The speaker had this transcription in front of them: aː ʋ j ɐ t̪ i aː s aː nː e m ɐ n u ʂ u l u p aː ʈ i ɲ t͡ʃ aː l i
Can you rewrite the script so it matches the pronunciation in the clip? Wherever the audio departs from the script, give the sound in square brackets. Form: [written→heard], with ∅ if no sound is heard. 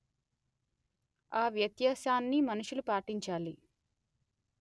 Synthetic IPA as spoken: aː ʋ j ɐ t̪ [i→j] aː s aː nː [e→i] m ɐ n u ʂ u l u p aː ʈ i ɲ t͡ʃ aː l i